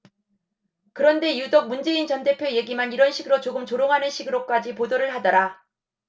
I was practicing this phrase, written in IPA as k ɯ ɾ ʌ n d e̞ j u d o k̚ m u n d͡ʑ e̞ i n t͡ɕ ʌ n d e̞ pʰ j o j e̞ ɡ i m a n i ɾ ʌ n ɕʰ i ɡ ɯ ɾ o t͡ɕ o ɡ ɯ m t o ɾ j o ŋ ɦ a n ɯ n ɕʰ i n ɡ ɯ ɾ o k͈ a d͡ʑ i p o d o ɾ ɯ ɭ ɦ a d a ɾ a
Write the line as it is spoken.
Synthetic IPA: k ɯ ɾ ʌ n d e̞ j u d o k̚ m u n d͡ʑ e̞ i n t͡ɕ ʌ n d e̞ pʰ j o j e̞ ɡ i m a n i ɾ ʌ n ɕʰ i ɡ ɯ ɾ o t͡ɕ o ɡ ɯ m t͡ɕ o ɾ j o ŋ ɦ a n ɯ n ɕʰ i ɡ ɯ ɾ o k͈ a d͡ʑ i p o d o ɾ ɯ ɭ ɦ a d ʌ ɾ a